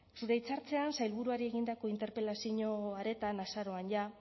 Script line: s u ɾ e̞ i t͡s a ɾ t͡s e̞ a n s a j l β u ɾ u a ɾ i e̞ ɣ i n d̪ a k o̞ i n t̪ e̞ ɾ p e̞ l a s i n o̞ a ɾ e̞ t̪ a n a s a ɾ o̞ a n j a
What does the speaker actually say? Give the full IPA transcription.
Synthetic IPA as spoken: s u ɾ e̞ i t͡s a ɾ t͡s e̞ a n s a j l β u ɾ u a ɾ i e̞ ɣ i n d̪ a k o̞ i n t̪ e̞ ɾ p e̞ l a s i ɲ o̞ a ɾ e̞ t̪ a n a s a ɾ o̞ a n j a